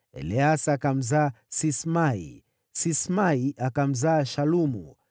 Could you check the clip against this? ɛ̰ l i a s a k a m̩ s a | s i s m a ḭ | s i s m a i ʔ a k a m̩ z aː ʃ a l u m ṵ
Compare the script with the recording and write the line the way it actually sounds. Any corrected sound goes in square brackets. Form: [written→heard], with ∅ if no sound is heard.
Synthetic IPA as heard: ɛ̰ l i a s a k a m̩ [s→z] a | s i s m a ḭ | s i s m a i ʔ a k a m̩ z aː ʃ a l u m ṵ